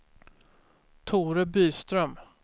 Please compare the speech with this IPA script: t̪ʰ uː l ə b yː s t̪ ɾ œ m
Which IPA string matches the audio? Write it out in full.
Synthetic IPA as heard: t̪ʰ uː ɾ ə b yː s t̪ ɾ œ m